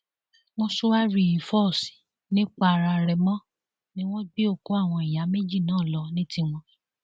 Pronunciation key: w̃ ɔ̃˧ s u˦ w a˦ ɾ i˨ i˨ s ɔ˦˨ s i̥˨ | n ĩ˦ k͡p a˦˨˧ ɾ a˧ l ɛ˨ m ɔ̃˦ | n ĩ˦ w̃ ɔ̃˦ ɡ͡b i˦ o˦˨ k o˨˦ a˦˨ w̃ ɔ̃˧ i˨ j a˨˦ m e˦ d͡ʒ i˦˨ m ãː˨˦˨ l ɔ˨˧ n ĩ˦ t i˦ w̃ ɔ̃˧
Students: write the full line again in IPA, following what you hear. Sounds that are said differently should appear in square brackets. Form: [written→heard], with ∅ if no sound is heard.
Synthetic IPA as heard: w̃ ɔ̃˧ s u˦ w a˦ ɾ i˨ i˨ [s→f] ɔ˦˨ s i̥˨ | n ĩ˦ k͡p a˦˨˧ ɾ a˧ [l→ɾ] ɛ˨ m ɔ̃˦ | n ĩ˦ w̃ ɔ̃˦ ɡ͡b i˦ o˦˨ k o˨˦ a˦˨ w̃ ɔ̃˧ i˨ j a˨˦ m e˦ d͡ʒ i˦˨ [m→n] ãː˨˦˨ l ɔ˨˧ n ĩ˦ t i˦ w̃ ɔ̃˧